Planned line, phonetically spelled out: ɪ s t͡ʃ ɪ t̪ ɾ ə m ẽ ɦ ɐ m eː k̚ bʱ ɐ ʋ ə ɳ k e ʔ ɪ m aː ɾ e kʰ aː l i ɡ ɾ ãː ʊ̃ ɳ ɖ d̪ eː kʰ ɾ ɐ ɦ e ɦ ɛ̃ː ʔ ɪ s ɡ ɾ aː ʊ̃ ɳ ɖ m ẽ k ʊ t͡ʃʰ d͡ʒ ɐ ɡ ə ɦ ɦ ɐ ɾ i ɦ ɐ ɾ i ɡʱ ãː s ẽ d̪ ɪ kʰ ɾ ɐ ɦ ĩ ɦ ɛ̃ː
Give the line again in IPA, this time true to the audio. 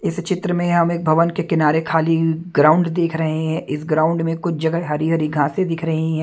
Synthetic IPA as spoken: ɪ s t͡ʃ ɪ t̪ ɾ ə m ẽ ɦ ɐ m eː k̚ bʱ ɐ ʋ ə n k e k ɪ n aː ɾ e kʰ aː l i ɡ ɾ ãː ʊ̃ ɳ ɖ d̪ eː kʰ ɾ ɐ ɦ e ɦ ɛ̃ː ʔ ɪ s ɡ ɾ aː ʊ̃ ɳ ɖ m ẽ k ʊ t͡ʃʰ d͡ʒ ɐ ɡ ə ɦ ɦ ɐ ɾ i ɦ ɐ ɾ i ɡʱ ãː s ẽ d̪ ɪ kʰ ɾ ɐ ɦ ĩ ɦ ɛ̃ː

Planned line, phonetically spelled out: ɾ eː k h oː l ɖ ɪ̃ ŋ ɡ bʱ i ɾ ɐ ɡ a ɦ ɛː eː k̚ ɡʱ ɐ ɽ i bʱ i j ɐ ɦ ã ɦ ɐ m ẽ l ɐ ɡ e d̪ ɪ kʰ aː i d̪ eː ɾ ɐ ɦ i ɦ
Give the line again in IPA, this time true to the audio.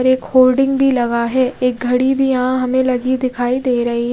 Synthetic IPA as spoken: ɾ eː k h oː l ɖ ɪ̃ ŋ ɡ bʱ i l ɐ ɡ a ɦ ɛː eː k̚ ɡʱ ɐ ɽ i bʱ i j ɐ ɦ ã ɦ ɐ m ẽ l ɐ ɡ i d̪ ɪ kʰ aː i d̪ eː ɾ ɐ ɦ i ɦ

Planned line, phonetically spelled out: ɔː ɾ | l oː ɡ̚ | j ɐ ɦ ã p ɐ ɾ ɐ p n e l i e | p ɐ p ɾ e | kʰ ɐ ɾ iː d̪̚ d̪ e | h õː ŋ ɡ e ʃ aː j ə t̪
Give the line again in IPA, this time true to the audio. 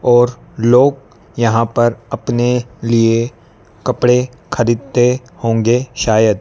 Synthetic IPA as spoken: ɔː ɾ | l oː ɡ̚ | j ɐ ɦ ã p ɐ ɾ ɐ p n e l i e | k ɐ p ɽ e | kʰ ɐ ɾ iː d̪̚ t̪ e | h õː ŋ ɡ e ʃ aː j ə d̪

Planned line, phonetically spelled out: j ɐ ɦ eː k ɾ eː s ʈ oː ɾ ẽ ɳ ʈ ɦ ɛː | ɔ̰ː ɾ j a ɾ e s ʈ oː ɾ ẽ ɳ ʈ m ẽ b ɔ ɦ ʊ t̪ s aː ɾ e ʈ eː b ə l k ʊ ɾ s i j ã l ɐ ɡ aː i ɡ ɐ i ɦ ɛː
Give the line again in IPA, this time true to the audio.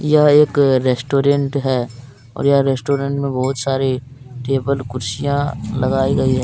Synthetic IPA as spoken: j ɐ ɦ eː k ɾ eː s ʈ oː ɾ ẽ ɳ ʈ ɦ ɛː | ɔ̰ː ɾ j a ɾ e s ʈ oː ɾ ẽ ɳ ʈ m ẽ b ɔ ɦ ʊ t̪ s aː ɾ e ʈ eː b ə l k ʊ ɾ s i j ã l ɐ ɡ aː i ɡ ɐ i ɦ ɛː

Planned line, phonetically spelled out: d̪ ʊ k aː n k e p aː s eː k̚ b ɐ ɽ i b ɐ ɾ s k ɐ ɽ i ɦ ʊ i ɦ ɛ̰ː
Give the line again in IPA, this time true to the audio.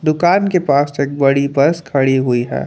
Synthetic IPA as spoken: d̪ ʊ k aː n k e p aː s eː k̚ b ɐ ɽ i b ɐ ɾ s kʰ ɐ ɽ i ɦ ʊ i ɦ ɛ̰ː

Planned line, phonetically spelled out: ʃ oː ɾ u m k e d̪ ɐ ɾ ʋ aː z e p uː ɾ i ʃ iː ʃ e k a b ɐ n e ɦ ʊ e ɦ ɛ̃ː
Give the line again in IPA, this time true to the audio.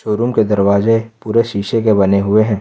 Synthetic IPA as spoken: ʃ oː ɾ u m k e d̪ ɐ ɾ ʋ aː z e p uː ɾ e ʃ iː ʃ e k e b ɐ n e ɦ ʊ e ɦ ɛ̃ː

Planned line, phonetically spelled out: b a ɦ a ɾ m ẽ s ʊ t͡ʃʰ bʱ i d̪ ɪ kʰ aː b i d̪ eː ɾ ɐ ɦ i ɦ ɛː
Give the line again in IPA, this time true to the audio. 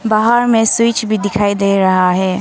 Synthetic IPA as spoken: b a ɦ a ɾ m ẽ s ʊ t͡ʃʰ bʱ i d̪ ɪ kʰ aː i d̪ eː ɾ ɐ ɦ a ɦ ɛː

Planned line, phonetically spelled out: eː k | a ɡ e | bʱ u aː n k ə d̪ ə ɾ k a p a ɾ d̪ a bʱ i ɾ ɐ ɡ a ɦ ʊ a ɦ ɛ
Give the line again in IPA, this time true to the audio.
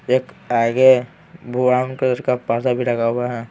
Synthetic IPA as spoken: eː k | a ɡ e | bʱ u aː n k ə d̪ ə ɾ k a p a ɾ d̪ a bʱ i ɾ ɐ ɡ a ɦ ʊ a ɦ ɛ

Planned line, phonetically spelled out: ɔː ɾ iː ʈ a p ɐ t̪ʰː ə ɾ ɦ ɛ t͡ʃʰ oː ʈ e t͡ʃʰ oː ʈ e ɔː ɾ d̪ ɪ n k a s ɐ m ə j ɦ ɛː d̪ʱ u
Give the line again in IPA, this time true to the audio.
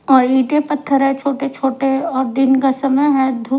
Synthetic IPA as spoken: ɔː ɾ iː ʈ e p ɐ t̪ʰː ə ɾ ɦ ɛ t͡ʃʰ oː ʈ e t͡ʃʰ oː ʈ e ɔː ɾ d̪ ɪ n k a s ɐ m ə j ɦ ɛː d̪ʱ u

